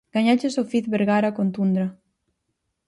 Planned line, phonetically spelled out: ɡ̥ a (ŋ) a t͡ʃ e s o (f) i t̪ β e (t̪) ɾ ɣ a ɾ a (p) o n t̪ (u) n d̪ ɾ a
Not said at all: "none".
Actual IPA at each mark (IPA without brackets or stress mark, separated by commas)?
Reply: ɲ, f, none, k, u